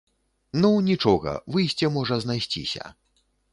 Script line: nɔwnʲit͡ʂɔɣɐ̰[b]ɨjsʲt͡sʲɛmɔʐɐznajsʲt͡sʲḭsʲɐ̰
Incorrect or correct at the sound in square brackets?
incorrect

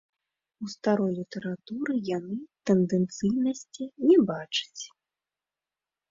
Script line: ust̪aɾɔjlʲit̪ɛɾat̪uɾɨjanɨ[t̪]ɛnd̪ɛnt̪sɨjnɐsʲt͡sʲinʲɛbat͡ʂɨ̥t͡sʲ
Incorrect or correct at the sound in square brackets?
correct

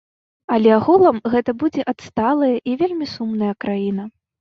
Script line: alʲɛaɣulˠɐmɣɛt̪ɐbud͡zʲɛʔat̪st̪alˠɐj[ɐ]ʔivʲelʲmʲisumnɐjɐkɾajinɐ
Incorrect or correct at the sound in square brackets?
correct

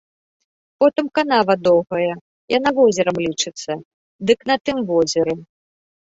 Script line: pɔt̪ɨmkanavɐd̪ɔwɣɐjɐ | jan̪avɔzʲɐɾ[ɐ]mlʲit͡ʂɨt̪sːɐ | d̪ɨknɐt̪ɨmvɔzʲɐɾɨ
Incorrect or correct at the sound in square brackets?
correct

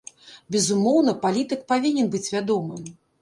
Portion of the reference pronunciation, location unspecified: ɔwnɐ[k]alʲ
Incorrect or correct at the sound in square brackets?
incorrect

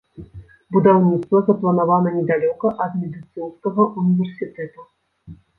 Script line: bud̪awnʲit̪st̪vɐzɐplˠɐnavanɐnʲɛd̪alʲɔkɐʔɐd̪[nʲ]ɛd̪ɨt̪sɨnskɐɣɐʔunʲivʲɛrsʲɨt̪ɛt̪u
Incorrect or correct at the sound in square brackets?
incorrect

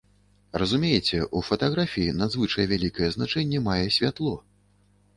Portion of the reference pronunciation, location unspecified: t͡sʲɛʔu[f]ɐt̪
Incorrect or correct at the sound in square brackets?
correct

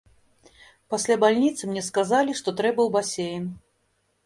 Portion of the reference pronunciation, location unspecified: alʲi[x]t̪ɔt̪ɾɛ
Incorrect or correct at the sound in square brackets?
incorrect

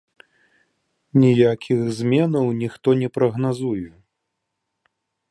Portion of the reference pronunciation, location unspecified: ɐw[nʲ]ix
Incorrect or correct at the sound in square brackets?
correct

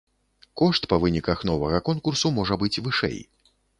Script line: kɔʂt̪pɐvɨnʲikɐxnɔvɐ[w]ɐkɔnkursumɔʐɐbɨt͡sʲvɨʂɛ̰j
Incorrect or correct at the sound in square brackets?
incorrect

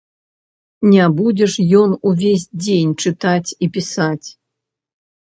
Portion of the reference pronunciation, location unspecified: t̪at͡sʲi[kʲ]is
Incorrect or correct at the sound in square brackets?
incorrect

